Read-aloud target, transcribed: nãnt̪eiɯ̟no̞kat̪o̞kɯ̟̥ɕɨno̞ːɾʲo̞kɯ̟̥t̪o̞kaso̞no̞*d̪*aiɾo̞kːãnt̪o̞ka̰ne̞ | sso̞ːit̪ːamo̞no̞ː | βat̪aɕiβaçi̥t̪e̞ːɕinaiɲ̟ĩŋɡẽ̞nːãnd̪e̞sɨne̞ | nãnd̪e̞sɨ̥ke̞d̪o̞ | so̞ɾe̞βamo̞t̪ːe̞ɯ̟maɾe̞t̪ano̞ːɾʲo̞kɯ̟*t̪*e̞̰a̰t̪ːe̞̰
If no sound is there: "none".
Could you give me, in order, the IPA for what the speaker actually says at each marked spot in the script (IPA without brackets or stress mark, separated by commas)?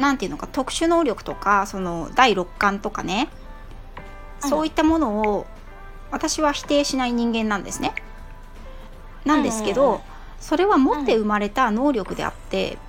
d̪, d̪